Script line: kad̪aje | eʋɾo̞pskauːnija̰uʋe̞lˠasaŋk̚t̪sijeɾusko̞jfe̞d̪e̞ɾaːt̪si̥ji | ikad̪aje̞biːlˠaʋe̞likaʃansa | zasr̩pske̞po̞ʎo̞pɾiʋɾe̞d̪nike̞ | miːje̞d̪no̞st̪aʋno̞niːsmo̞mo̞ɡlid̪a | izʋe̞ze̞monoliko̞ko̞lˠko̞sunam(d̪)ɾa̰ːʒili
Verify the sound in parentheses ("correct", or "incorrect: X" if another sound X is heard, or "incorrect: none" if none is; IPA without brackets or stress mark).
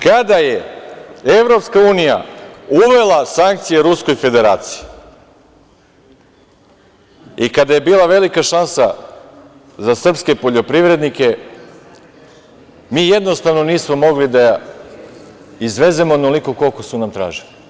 incorrect: t̪